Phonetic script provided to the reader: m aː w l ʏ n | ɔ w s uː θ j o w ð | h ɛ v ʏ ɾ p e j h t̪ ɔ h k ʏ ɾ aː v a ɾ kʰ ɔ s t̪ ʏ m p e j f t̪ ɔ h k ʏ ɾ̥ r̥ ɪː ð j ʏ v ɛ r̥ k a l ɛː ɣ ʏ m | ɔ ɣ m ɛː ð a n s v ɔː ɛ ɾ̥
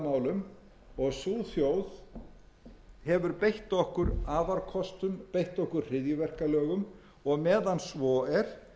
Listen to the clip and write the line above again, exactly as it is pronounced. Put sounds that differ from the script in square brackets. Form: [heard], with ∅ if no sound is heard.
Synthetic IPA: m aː w l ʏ [m] | ɔ [ɣ] s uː θ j o w ð | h ɛ v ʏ ɾ p e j h t̪ ɔ h k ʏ ɾ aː v a ɾ kʰ ɔ s t̪ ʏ m p e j [h] t̪ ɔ h k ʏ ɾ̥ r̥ [ɪ] ð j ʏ v ɛ r̥ k a l [œː] ɣ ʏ m | ɔ ɣ m ɛː ð a n s v ɔː ɛ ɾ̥